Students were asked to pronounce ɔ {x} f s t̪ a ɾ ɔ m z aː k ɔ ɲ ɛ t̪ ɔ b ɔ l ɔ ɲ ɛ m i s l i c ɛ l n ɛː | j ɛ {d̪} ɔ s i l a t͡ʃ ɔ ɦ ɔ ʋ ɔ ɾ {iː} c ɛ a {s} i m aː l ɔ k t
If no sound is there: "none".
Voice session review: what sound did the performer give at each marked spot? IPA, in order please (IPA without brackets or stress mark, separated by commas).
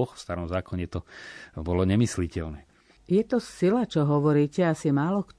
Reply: x, t̪, iː, s